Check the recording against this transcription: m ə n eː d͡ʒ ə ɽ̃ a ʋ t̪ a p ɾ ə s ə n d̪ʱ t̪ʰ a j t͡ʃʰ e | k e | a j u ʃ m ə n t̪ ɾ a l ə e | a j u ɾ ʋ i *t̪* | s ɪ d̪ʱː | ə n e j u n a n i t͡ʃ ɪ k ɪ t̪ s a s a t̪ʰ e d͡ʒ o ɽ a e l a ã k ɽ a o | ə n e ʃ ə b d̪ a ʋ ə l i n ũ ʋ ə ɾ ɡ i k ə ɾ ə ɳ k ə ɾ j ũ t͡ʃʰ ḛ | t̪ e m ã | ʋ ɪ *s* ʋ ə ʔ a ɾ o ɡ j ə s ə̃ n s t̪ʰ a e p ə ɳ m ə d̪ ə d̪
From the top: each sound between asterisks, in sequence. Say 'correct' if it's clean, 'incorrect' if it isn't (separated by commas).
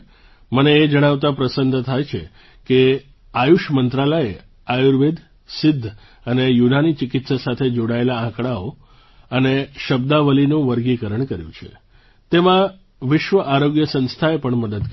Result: incorrect, incorrect